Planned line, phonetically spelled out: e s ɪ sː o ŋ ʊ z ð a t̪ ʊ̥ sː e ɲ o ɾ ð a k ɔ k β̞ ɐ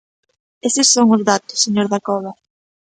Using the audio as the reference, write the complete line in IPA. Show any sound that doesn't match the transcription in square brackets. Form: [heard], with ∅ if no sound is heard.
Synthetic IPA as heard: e s ɪ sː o ŋ ʊ z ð a t̪ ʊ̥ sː e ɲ o ɾ ð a k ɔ [∅] β̞ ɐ

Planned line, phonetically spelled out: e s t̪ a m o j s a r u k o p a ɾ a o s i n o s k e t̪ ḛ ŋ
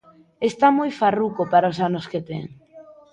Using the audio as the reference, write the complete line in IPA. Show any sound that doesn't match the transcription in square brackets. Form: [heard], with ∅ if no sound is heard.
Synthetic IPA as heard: e s t̪ a m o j [f] a r u k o p a ɾ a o s [a] n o s k e t̪ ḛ ŋ

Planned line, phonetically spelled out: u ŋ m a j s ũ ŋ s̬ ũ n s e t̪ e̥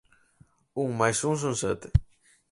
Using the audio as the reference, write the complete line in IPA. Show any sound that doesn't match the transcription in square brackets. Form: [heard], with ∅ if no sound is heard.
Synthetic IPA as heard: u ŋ m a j s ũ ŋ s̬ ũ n s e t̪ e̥

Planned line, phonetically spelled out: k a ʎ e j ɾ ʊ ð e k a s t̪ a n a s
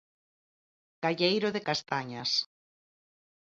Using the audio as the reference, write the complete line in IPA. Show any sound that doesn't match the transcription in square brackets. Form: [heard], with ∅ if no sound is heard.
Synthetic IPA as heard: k a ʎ e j ɾ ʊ ð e k a s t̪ a [ɲ] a s

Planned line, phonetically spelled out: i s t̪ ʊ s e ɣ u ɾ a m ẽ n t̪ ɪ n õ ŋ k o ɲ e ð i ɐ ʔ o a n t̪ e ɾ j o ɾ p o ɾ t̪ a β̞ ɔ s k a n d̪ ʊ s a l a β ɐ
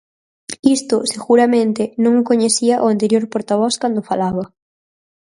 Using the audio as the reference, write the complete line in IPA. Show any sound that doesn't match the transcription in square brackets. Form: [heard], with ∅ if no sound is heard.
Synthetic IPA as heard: i s t̪ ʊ s e ɣ u ɾ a m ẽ n t̪ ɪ n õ ŋ k o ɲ e [θ] i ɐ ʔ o a n t̪ e ɾ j o ɾ p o ɾ t̪ a β̞ ɔ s k a n d̪ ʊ [f] a l a β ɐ

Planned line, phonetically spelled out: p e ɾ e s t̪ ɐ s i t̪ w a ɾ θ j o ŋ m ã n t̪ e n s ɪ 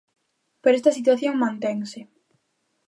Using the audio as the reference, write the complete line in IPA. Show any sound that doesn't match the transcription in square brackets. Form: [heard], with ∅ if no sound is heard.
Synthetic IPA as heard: p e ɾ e s t̪ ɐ s i t̪ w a [∅] θ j o ŋ m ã n t̪ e [ŋ] s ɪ

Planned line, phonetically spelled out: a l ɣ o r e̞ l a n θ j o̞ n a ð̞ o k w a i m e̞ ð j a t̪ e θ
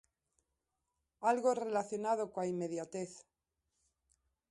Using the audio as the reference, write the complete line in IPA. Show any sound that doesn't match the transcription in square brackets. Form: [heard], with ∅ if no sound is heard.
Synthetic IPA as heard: a l ɣ o r e̞ l a [∅] θ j o̞ n a ð̞ o k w a i m e̞ ð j a t̪ e θ

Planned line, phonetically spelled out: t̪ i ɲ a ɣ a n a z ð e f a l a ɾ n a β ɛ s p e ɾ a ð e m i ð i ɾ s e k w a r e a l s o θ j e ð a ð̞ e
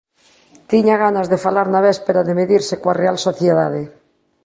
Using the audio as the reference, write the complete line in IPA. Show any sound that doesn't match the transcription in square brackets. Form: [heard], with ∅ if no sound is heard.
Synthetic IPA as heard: t̪ i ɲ a ɣ a n a z ð e f a l a ɾ n a β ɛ s p e ɾ a ð e m [e] ð i ɾ s e k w a r e a l s o θ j e ð a ð̞ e

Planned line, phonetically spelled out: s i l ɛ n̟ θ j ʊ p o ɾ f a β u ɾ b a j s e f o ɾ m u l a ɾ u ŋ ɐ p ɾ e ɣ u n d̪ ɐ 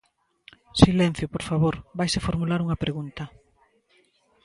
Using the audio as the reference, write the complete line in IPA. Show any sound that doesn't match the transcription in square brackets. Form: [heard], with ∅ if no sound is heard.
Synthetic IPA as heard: s i l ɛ n̟ θ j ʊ p o ɾ f a β [o] ɾ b a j s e f o ɾ m u l a ɾ u ŋ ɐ p ɾ e ɣ u n [t̪] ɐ

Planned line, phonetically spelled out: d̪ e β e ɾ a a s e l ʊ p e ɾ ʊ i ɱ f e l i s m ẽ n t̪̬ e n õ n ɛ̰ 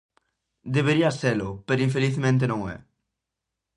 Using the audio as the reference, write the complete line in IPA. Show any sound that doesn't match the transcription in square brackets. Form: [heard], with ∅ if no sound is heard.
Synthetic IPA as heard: d̪ e β e ɾ [i] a s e l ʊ p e ɾ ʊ i ɱ f e l i [θ] m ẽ n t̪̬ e n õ [ŋ] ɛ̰

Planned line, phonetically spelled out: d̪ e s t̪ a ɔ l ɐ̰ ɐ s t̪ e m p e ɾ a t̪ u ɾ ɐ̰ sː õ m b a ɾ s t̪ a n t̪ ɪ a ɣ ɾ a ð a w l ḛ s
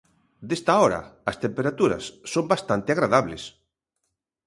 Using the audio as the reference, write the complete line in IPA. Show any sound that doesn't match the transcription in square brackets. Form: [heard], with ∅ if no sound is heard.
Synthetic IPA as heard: d̪ e s t̪ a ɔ [ɾ] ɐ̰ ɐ s t̪ e m p e ɾ a t̪ u ɾ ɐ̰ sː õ m b a [∅] s t̪ a n t̪ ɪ a ɣ ɾ a ð a [β] l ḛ s

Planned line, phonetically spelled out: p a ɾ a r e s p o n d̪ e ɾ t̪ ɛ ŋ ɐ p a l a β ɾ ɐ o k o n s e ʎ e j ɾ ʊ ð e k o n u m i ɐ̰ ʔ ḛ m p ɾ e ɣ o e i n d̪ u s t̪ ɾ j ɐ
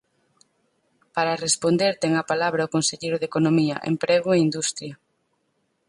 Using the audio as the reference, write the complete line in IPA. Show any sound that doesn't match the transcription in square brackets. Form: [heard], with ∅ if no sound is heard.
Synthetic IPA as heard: p a ɾ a r e s p o n d̪ e ɾ t̪ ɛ ŋ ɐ p a l a β ɾ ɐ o k o n s e ʎ e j ɾ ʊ ð e k o n [o] m i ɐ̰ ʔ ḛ m p ɾ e ɣ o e i n d̪ u s t̪ ɾ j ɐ

